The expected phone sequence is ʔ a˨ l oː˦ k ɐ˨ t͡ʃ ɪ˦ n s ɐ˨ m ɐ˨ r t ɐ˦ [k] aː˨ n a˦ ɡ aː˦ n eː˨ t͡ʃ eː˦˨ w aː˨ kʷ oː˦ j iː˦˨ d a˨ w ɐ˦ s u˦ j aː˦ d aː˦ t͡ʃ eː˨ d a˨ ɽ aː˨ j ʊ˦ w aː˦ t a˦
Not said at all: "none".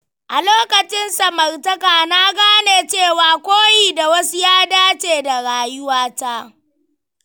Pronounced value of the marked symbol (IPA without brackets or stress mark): k